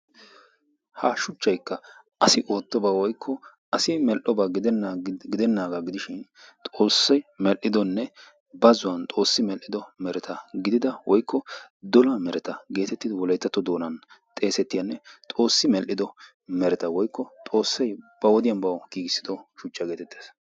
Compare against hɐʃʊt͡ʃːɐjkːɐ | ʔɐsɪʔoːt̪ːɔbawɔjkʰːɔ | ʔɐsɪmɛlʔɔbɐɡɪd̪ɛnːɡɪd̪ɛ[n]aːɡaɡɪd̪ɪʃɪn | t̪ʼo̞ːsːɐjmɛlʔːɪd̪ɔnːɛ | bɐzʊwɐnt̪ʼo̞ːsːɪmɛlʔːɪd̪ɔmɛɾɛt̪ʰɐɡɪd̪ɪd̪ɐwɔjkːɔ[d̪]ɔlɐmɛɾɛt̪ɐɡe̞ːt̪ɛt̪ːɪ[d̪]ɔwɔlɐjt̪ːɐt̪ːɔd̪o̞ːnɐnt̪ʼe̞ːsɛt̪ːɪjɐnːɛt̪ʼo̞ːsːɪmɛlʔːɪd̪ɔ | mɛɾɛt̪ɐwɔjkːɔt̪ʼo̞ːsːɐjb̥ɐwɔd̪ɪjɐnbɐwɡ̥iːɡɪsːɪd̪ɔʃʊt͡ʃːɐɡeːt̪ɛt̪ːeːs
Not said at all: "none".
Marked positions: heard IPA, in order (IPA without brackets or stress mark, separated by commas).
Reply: nː, d̪, d̪